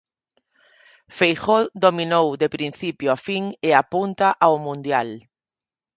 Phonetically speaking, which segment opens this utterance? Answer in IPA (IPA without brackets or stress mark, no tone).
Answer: f